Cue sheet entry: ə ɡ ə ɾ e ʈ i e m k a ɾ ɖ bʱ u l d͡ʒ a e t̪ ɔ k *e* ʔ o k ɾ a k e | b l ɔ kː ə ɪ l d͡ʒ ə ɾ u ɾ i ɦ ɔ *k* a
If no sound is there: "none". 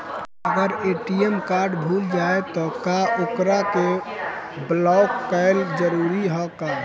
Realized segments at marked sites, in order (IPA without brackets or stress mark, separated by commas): a, k